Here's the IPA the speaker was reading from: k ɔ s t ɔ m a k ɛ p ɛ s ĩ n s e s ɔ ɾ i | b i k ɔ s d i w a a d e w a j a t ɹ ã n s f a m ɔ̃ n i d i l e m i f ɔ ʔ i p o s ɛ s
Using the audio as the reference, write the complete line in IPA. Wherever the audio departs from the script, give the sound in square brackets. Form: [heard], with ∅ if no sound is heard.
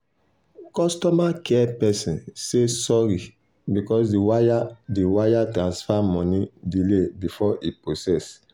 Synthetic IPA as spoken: k ɔ s t ɔ m a k ɛ p ɛ s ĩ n s e s ɔ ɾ i | b i k ɔ s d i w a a d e w a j a t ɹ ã n s f a m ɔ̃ n i d i l e [b] i f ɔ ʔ i p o s ɛ s